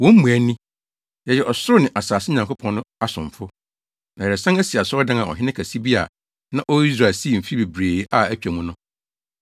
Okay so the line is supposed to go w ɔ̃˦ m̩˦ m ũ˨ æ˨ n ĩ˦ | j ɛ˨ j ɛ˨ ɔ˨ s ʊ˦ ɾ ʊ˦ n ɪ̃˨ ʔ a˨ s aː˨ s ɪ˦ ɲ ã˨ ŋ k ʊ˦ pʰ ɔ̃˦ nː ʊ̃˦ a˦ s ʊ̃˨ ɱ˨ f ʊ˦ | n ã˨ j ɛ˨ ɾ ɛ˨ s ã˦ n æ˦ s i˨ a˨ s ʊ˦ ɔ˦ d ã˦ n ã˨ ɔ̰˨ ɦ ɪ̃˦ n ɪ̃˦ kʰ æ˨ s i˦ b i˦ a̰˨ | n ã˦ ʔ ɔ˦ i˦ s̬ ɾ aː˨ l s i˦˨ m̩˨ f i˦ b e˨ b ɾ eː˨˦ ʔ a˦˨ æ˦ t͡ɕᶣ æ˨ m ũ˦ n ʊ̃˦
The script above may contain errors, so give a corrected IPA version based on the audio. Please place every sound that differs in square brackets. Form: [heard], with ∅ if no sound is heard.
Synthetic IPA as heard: w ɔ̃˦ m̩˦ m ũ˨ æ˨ n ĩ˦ | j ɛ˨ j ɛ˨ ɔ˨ s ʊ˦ ɾ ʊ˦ n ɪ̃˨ ʔ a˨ s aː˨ s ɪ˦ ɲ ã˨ ŋ k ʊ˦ pʰ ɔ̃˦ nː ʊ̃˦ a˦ s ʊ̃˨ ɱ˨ f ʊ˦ | n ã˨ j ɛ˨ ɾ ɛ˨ s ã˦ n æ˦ s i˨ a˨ s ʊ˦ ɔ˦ d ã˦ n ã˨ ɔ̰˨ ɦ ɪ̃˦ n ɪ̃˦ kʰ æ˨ s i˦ b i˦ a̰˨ | n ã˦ ʔ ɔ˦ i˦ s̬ ɾ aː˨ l s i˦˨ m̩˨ f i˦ b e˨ b ɾ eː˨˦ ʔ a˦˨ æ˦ t͡ɕᶣ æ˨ m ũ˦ n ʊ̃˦